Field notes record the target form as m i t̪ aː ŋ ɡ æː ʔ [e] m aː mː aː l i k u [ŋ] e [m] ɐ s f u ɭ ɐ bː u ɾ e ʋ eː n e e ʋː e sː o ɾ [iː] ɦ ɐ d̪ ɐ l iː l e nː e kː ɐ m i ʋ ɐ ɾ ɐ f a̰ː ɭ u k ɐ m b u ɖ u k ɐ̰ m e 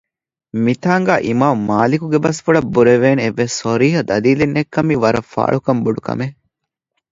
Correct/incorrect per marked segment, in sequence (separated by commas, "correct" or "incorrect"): incorrect, incorrect, incorrect, correct